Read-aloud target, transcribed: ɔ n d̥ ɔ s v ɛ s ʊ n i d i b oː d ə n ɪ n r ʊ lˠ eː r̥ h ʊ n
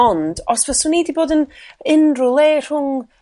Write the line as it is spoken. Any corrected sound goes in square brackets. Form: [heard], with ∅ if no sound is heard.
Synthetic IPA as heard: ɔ n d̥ ɔ s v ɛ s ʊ n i d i b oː d ə n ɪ n r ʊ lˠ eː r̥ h ʊ [ŋ]